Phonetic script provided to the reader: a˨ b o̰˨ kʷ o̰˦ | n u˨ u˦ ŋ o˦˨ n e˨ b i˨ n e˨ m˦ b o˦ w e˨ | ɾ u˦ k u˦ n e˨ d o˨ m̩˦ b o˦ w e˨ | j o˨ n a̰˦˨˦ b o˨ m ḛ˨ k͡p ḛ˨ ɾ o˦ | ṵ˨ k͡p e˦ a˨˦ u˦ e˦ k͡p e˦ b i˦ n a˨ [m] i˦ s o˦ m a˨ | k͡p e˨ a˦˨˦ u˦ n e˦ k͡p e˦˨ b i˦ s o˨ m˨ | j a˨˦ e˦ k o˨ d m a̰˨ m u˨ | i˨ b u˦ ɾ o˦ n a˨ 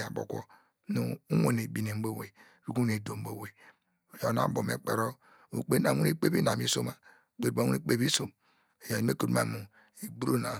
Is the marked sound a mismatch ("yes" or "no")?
no